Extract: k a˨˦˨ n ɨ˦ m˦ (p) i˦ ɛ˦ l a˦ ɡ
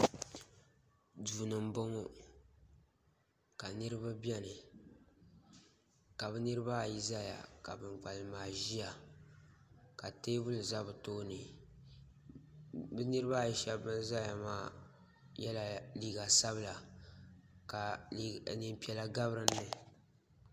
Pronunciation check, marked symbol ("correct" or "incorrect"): correct